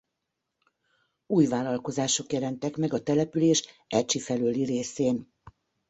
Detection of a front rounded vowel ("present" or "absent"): present